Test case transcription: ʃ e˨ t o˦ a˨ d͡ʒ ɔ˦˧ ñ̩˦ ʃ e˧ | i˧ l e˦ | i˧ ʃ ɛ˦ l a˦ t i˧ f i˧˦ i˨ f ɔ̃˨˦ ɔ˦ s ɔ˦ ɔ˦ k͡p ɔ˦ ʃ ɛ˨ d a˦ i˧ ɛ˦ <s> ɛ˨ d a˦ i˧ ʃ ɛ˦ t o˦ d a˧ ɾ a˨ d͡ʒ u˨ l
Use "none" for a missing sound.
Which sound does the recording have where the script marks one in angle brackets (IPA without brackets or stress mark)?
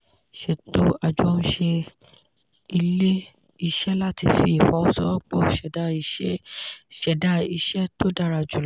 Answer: ʃ